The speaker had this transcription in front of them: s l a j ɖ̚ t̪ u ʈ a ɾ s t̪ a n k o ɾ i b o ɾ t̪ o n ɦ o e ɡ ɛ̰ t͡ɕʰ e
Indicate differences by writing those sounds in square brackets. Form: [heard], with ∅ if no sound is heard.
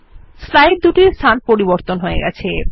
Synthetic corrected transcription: s l a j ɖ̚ [d̪] u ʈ [i] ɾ s [t̪ʰ] a n [p] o ɾ i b o ɾ t̪ o n ɦ o e ɡ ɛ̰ t͡ɕʰ e